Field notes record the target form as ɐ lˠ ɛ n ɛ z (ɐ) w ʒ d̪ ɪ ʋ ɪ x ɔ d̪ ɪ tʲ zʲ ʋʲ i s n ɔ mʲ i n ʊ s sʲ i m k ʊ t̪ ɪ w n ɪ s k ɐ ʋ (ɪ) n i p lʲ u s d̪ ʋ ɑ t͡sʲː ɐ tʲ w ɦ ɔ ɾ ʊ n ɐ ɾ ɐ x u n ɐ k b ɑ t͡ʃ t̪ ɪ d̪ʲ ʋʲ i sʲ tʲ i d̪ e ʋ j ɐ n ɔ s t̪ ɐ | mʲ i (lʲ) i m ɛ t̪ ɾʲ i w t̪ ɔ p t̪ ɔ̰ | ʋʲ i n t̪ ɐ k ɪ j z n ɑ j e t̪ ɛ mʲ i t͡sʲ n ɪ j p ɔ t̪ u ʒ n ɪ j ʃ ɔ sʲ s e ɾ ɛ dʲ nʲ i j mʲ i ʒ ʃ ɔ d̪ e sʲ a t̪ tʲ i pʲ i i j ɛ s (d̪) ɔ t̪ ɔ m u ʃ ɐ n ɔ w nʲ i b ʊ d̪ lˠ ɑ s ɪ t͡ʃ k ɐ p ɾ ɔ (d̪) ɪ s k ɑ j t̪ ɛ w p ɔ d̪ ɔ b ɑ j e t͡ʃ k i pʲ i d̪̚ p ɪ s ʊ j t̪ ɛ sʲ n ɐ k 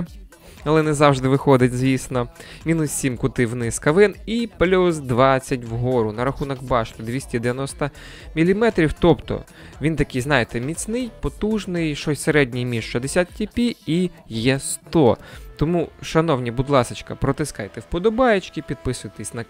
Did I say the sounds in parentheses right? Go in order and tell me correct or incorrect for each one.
incorrect: ɑ, correct, correct, incorrect: t̪, incorrect: t̪

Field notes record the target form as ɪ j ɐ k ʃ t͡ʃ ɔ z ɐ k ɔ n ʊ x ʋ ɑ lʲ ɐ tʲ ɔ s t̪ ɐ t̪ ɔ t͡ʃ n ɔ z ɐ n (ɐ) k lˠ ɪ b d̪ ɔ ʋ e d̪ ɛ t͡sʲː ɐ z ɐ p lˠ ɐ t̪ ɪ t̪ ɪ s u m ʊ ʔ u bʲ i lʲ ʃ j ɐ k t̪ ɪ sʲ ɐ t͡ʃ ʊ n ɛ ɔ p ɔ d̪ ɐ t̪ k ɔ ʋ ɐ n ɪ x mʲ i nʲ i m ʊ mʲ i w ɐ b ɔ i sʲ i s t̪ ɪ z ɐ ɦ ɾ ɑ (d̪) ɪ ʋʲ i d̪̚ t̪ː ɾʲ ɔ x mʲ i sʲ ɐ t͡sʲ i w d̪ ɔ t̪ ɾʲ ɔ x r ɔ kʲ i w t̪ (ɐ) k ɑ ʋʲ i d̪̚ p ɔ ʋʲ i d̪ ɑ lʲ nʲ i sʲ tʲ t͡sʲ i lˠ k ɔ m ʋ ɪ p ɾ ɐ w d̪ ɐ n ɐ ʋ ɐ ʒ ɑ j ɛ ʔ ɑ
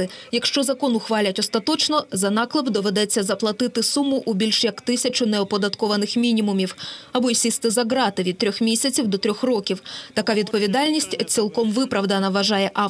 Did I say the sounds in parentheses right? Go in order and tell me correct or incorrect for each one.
incorrect: ɑ, incorrect: t̪, correct

